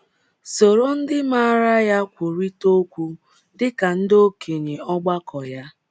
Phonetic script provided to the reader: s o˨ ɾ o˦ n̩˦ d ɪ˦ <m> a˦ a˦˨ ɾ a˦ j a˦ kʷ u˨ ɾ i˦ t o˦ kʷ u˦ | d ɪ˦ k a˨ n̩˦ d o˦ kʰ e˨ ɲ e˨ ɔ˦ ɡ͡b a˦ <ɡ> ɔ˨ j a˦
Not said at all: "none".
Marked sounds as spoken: m, k

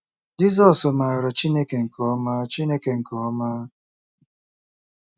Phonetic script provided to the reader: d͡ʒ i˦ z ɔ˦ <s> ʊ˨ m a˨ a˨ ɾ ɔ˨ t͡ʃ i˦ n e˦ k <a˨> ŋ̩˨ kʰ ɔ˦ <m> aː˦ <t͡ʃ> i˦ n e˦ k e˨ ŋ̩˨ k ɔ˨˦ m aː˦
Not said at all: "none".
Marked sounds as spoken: s, e˨, m, t͡ʃ

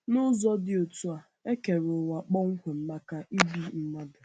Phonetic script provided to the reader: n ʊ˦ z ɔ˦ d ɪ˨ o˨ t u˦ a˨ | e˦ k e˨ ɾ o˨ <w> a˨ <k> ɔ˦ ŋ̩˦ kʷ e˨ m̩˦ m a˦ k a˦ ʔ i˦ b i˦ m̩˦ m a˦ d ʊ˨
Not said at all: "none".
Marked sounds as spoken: w, k͡p

